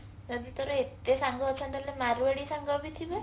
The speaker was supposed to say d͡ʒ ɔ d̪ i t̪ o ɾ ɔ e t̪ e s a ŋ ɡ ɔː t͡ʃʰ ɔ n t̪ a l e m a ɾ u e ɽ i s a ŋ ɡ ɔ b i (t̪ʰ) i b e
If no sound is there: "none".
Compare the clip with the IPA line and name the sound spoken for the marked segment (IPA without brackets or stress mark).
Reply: t̪ʰ